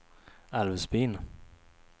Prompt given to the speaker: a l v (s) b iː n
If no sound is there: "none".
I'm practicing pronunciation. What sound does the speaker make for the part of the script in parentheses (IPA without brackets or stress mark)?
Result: s